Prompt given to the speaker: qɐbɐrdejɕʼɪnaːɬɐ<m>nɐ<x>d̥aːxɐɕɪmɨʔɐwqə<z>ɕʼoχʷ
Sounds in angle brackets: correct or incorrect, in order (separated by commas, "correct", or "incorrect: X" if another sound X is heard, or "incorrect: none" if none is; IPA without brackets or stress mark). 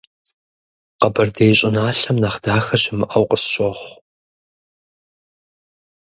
correct, incorrect: χ, incorrect: s